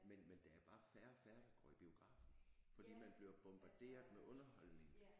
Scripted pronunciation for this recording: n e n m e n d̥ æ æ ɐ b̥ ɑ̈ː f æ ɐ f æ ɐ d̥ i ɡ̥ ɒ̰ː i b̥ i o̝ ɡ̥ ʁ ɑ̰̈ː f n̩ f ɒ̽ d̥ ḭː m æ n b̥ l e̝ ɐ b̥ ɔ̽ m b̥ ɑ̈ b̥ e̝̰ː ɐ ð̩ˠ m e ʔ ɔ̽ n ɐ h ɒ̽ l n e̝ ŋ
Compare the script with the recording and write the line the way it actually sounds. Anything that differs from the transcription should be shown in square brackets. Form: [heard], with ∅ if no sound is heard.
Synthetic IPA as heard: [m] e n m e n d̥ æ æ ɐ b̥ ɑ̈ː f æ ɐ f æ ɐ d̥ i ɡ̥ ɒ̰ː i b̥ i o̝ ɡ̥ ʁ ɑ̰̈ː f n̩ f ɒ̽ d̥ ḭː m æ n b̥ l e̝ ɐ b̥ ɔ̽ m b̥ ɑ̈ [d̥] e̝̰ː ɐ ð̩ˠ m e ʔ ɔ̽ n ɐ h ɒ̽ l n e̝ ŋ